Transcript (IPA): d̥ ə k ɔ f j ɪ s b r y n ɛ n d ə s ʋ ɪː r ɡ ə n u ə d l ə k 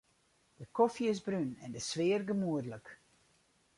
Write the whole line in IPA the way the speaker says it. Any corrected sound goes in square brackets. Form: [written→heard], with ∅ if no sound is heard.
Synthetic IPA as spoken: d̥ ə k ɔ f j ɪ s b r y n ɛ n d ə s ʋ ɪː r ɡ ə [n→m] u ə d l ə k